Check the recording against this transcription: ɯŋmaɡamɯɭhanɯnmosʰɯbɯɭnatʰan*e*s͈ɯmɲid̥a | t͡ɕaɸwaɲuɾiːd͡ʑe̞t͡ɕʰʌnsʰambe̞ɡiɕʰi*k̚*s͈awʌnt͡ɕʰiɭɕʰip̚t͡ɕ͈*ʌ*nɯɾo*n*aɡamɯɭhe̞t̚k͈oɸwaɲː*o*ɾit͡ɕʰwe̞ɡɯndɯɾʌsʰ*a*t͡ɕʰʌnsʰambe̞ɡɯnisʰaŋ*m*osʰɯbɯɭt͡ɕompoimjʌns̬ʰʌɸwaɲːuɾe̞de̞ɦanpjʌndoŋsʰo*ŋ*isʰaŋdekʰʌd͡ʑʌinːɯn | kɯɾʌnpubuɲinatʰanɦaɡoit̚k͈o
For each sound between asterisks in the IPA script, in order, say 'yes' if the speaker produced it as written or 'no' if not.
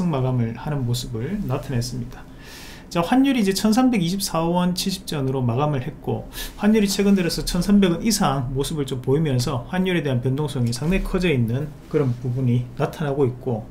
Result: yes, no, yes, no, no, no, yes, yes

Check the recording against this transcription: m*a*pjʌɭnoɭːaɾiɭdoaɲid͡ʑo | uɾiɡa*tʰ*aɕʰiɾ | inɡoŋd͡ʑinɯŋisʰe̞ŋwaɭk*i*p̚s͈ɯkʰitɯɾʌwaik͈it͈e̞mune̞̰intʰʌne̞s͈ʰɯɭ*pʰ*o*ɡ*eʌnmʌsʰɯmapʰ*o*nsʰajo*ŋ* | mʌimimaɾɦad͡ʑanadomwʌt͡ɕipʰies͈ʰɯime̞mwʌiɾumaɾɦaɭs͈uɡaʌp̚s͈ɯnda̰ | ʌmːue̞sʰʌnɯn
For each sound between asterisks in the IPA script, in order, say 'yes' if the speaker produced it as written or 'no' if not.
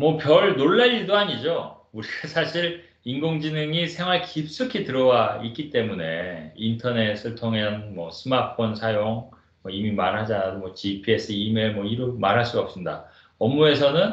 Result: no, no, yes, no, no, yes, yes

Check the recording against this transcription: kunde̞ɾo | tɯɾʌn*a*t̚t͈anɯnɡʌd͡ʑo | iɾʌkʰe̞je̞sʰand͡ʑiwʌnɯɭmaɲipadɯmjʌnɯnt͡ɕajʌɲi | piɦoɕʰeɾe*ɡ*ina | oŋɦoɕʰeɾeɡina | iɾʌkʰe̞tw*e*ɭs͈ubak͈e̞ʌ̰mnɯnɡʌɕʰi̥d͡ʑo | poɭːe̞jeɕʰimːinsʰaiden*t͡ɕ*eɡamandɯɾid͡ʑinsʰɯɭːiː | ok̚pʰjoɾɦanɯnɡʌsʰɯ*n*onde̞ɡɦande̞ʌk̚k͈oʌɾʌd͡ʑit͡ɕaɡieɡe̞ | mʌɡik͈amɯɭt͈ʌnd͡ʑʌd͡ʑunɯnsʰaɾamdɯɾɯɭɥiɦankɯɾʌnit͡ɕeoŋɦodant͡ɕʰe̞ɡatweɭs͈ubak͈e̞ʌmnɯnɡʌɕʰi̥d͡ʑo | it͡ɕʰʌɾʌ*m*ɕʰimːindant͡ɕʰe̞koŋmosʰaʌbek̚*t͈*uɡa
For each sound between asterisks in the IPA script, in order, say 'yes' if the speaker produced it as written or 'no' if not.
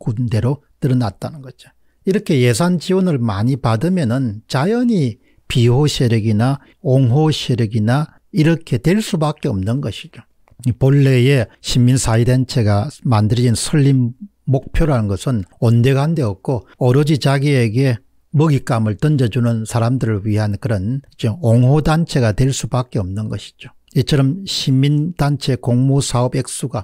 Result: yes, yes, yes, no, yes, yes, no

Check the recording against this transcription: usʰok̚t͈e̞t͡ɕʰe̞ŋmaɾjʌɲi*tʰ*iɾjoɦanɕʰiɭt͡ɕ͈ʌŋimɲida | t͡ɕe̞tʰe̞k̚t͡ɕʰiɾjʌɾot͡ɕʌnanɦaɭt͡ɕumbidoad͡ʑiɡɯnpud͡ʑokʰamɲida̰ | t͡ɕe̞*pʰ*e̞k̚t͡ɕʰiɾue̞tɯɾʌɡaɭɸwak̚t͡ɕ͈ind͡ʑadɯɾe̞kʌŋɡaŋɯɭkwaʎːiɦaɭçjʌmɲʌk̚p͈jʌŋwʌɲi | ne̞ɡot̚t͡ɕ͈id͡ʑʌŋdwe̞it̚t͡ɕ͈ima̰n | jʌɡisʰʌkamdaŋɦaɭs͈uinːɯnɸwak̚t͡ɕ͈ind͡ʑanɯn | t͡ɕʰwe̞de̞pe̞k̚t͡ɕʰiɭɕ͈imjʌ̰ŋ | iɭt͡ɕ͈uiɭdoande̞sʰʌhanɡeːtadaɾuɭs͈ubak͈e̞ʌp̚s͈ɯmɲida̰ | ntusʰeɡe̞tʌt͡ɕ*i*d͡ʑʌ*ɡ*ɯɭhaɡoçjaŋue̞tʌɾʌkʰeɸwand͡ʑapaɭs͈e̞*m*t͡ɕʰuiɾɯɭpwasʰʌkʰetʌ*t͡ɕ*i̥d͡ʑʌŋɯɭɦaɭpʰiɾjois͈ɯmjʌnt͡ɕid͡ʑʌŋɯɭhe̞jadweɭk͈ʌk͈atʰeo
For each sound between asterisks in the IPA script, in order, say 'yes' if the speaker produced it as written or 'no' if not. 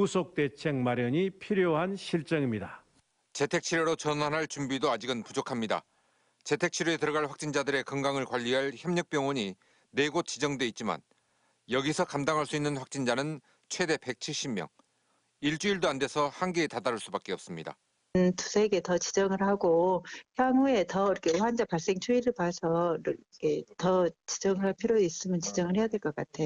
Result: no, no, yes, no, no, yes

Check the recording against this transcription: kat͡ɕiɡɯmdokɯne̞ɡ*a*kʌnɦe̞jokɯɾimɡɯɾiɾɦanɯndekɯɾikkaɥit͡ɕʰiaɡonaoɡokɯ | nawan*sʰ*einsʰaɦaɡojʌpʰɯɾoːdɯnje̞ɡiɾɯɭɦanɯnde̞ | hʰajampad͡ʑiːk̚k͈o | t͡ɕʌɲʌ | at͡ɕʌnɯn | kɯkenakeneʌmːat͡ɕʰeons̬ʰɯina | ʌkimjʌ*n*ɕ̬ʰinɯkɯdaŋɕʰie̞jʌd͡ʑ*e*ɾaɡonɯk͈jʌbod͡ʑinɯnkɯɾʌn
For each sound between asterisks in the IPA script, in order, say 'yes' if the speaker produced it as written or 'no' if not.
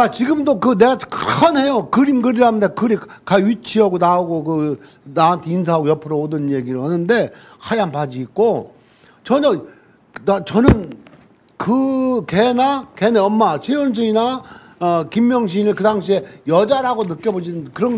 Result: yes, no, no, no

